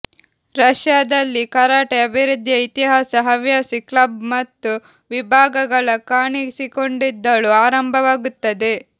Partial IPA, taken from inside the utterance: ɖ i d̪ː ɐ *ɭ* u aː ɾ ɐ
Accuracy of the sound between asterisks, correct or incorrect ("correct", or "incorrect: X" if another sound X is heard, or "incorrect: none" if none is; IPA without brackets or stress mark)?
correct